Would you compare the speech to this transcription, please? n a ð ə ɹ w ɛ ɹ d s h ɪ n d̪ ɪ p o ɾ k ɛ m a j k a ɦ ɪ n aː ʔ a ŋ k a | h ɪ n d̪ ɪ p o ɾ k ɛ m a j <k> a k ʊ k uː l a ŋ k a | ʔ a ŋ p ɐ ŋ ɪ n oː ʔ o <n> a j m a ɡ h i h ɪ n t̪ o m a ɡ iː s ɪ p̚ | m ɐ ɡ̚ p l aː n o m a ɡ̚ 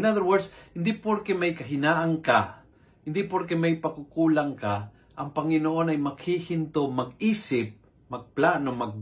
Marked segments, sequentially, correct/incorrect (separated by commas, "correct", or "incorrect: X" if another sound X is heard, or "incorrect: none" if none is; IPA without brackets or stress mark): incorrect: p, correct